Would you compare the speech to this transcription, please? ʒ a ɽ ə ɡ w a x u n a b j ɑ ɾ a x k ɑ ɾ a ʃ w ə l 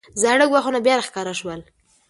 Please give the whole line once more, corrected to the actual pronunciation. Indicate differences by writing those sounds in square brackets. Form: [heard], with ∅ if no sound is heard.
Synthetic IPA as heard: [z] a ɽ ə ɡ w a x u n a b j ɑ ɾ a x k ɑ ɾ a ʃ w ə l